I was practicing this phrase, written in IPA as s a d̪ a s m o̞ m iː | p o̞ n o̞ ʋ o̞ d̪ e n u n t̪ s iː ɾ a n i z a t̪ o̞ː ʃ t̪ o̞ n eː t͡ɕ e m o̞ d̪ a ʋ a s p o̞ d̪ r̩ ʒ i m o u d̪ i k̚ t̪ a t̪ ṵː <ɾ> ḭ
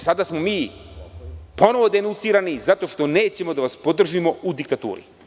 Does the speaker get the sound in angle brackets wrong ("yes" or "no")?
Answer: no